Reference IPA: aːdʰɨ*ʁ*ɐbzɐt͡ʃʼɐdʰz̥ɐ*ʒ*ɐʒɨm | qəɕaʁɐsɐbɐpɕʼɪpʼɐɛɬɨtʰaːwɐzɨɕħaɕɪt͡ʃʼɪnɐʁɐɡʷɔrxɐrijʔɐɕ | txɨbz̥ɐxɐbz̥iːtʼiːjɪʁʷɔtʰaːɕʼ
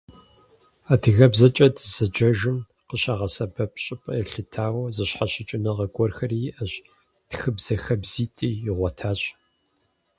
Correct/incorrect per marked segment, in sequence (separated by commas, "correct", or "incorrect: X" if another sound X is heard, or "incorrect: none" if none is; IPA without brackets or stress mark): incorrect: ɣ, incorrect: d͡ʒ